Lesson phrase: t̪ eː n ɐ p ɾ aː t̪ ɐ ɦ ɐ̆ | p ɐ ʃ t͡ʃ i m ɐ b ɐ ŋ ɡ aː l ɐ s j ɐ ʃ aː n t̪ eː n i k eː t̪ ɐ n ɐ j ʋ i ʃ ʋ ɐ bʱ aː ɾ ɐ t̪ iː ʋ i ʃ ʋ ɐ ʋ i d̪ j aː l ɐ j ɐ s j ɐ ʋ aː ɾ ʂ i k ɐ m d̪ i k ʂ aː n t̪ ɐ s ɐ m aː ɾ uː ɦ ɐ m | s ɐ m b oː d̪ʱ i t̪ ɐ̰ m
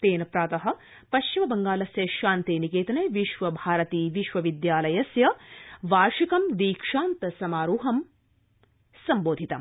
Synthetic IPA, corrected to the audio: t̪ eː n ɐ p ɾ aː t̪ ɐ ɦ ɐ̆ | p ɐ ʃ t͡ʃ i m ɐ b ɐ ŋ ɡ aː l ɐ s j ɐ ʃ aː n t̪ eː n i k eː t̪ ɐ n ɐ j ʋ i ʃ ʋ ɐ bʱ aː ɾ ɐ t̪ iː ʋ i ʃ ʋ ɐ ʋ i d̪ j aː l ɐ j ɐ s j ɐ ʋ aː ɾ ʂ i k ɐ m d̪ iː k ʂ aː n t̪ ɐ s ɐ m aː ɾ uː ɦ ɐ m | s ɐ m b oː d̪ʱ i t̪ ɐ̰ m